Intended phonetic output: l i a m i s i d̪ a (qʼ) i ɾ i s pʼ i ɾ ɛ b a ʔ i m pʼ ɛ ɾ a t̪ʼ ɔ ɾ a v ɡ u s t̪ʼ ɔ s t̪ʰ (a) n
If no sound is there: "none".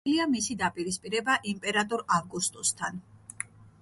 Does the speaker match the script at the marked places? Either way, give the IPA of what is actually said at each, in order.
pʼ, a

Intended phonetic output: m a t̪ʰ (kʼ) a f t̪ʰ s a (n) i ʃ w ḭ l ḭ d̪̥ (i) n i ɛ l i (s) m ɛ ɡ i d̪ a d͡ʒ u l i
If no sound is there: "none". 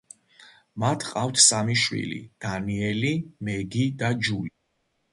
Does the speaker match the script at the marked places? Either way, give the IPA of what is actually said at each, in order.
qʼ, m, a, none

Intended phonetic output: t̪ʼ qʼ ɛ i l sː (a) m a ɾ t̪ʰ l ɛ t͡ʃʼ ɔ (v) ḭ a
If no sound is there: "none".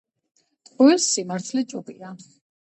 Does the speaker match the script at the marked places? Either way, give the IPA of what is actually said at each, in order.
i, b

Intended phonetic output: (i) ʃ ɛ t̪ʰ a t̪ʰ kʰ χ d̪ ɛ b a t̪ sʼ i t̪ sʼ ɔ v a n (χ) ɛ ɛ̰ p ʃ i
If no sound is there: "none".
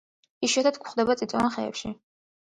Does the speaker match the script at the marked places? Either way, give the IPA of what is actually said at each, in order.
i, χ

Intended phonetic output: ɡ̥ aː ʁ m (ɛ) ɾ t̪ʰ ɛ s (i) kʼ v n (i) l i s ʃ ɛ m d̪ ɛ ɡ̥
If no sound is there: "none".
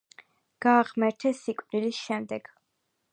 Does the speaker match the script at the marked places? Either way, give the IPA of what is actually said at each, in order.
ɛ, i, i

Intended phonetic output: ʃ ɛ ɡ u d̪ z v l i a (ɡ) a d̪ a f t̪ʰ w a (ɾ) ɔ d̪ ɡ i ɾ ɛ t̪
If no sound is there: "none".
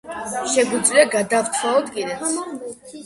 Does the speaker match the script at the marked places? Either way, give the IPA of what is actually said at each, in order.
ɡ, none

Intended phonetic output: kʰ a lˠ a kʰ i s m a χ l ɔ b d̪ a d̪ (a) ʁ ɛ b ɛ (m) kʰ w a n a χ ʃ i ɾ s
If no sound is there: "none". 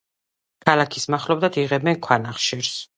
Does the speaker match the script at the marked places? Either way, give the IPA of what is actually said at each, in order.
i, n

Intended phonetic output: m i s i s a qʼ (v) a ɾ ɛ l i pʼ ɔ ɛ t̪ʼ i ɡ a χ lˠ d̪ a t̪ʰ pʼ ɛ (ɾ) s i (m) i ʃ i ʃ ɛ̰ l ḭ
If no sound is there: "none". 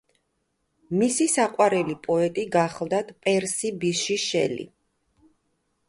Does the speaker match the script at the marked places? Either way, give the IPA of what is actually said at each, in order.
w, ɾ, b

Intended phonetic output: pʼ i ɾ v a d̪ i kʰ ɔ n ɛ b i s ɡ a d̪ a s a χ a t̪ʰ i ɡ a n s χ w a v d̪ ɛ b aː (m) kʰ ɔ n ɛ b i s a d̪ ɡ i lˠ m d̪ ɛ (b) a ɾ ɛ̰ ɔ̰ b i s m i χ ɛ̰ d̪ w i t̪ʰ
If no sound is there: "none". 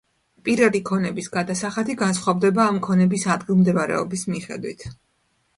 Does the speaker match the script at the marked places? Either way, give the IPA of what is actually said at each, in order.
m, v

